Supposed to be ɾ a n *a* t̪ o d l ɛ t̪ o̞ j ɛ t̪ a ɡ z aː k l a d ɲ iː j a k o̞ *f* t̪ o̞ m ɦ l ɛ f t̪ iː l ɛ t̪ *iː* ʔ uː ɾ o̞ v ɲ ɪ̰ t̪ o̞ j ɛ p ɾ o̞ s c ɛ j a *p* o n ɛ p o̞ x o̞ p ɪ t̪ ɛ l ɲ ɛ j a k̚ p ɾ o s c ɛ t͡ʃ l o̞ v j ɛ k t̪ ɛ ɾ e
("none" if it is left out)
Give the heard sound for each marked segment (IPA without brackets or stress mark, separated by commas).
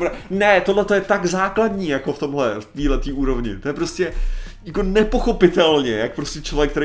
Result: ɛ, f, iː, k